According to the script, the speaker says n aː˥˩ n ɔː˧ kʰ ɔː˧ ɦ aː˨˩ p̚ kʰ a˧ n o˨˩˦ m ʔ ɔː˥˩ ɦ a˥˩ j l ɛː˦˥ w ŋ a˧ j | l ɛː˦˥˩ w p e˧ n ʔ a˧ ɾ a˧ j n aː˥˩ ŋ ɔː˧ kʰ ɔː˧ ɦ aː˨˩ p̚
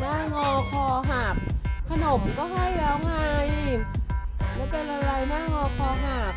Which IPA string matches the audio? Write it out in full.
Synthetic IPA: n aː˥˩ ŋ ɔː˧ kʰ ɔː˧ ɦ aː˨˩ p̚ kʰ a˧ n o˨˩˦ m k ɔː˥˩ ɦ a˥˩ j l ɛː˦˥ w ŋ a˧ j | l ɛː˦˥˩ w p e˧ n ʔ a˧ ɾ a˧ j n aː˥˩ ŋ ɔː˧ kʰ ɔː˧ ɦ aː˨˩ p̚

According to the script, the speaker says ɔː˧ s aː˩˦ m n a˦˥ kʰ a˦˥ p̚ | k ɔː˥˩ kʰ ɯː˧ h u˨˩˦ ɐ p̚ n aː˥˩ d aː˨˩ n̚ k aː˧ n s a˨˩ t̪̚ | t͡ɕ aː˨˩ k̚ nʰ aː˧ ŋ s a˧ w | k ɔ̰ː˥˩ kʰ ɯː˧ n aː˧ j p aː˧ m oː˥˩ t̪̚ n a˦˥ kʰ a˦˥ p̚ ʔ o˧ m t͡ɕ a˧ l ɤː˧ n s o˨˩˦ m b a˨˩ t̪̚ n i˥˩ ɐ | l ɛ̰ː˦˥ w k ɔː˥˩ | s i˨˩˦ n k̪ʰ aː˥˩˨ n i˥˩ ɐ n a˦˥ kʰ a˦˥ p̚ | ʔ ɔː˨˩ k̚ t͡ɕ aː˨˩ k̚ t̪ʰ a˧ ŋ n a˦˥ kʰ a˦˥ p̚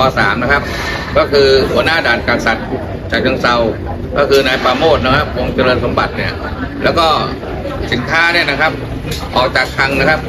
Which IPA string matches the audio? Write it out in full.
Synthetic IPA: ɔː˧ s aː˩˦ m n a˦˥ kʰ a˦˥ p̚ | k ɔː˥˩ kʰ ɯː˧ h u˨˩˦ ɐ n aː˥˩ d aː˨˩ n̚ k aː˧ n s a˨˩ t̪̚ | t͡ɕ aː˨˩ k̚ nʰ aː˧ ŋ s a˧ w | k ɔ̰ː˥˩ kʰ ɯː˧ n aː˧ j p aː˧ m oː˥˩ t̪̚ n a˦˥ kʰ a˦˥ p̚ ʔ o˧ ŋ t͡ɕ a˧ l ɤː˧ n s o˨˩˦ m b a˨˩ t̪̚ n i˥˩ ɐ | l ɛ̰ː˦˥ w k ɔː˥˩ | s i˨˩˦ n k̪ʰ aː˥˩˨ n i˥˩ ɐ n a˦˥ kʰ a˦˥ p̚ | ʔ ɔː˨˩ k̚ t͡ɕ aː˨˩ k̚ t̪ʰ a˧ ŋ n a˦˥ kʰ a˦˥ p̚

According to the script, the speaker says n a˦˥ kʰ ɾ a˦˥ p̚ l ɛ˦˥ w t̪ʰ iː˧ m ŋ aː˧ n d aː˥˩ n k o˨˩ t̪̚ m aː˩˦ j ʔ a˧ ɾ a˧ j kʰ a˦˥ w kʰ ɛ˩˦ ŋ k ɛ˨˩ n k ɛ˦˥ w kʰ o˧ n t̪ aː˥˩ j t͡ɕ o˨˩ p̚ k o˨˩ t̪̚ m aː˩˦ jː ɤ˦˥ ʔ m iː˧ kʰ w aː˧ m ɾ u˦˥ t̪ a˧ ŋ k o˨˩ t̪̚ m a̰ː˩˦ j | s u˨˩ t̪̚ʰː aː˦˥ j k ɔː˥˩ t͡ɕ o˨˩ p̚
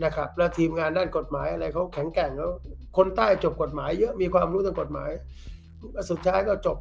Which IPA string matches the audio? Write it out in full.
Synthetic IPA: n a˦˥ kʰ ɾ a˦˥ p̚ l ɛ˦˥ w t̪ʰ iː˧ m ŋ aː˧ n d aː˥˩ n k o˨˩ t̪̚ m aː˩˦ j ʔ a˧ ɾ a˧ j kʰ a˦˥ w kʰ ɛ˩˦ ŋ k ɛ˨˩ ŋ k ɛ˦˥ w kʰ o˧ n t̪ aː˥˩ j t͡ɕ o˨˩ p̚ k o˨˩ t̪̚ m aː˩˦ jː ɤ˦˥ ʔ m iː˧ kʰ w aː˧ m ɾ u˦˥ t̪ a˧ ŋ k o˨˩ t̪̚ m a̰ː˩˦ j | s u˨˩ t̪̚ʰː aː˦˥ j k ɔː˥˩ t͡ɕ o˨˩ p̚

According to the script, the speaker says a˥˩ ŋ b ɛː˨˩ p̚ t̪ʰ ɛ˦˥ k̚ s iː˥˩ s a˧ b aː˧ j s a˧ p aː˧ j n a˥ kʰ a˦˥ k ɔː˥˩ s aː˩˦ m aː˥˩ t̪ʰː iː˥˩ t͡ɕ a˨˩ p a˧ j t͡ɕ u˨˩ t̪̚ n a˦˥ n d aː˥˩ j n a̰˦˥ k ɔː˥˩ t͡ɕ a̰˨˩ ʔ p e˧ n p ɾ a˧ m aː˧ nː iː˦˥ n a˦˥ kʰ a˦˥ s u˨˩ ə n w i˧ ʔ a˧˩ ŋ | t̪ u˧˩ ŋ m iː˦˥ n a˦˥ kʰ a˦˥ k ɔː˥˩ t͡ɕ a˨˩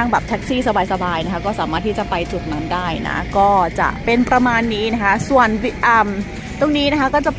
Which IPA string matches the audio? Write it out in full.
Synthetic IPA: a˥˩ ŋ b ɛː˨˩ p̚ t̪ʰ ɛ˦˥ k̚ s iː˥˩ s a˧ b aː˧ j s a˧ b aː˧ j n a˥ kʰ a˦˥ k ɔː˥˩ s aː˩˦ m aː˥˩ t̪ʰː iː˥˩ t͡ɕ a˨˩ p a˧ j t͡ɕ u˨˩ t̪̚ n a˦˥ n d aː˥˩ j n a̰˦˥ k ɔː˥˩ t͡ɕ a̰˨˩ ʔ p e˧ n p ɾ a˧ m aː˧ nː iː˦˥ n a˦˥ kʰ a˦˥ s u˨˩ ə n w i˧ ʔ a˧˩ m | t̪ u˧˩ ŋ n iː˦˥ n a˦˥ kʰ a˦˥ k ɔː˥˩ t͡ɕ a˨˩

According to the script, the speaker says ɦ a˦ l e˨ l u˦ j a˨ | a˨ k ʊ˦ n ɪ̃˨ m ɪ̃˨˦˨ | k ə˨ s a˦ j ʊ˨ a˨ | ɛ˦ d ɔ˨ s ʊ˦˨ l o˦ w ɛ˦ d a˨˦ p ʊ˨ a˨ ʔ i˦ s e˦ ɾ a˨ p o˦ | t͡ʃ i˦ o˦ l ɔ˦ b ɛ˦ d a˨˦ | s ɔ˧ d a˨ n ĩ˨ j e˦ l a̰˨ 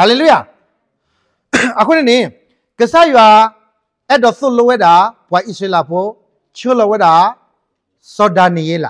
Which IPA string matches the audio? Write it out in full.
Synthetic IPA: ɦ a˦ l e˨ l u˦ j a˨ | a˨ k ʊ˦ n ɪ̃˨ n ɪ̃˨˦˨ | k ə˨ s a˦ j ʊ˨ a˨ | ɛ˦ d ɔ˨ θ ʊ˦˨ l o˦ w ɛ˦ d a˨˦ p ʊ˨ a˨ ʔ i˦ s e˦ l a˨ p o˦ | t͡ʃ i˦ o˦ l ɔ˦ w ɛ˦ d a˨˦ | s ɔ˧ d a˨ n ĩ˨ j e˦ l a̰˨

